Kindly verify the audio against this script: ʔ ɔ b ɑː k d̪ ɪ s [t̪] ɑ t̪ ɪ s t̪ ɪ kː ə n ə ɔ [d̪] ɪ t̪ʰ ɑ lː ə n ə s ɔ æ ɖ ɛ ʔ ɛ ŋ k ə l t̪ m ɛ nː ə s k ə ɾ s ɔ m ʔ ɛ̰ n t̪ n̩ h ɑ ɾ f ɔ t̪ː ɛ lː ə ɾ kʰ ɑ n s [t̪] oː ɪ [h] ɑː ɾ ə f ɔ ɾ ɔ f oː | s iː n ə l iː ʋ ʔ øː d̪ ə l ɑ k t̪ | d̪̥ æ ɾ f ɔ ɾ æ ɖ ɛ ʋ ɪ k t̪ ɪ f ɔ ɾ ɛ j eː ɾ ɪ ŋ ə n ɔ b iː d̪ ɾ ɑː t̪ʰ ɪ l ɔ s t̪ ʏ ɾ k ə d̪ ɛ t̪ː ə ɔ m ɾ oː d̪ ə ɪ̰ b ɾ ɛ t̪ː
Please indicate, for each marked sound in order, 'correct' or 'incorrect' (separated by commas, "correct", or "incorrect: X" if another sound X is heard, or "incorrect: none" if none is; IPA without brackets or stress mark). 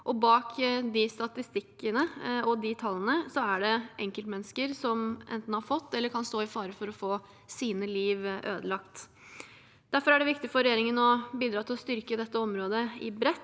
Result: correct, correct, correct, incorrect: f